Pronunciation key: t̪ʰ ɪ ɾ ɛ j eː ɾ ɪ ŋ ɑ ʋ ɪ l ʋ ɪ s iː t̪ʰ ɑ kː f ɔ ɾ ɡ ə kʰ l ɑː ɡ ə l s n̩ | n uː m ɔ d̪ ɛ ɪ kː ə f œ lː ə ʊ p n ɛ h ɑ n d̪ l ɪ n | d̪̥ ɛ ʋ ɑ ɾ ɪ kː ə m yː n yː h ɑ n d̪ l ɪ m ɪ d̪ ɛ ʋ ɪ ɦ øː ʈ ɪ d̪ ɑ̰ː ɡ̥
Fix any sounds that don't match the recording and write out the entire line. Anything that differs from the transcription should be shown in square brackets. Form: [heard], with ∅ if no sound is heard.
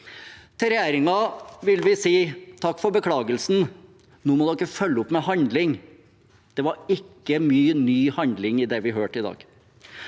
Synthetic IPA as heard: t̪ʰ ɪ ɾ ɛ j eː ɾ ɪ ŋ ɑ ʋ ɪ l ʋ ɪ s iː t̪ʰ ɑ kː f ɔ ɾ [b] ə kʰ l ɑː ɡ ə l s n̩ | n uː m ɔ d̪ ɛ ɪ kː ə f œ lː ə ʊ p [m] ɛ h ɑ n d̪ l ɪ [ŋ] | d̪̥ ɛ ʋ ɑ ɾ ɪ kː ə m yː n yː h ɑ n d̪ l ɪ [ŋ] ɪ d̪ ɛ ʋ ɪ ɦ øː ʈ ɪ d̪ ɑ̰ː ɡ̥